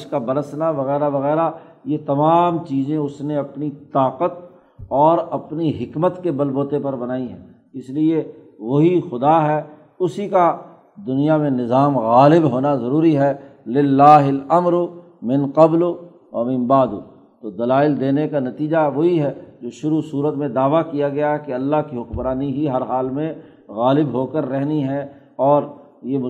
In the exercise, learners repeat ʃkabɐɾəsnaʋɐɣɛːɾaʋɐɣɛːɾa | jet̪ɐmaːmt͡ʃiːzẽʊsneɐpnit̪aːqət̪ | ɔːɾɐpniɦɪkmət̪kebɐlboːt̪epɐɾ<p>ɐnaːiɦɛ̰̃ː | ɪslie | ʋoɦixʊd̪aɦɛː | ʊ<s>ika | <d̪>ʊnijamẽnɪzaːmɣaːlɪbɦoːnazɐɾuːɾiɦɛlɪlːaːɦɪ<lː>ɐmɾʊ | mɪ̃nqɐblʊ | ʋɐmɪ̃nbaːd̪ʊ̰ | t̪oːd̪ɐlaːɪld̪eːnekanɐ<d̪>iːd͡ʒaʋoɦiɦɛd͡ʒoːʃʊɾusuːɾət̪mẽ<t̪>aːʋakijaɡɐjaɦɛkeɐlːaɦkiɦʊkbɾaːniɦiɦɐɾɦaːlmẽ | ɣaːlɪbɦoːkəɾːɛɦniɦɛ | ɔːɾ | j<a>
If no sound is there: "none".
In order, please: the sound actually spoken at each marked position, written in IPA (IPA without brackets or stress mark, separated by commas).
b, s, d̪, l, t̪, d̪, e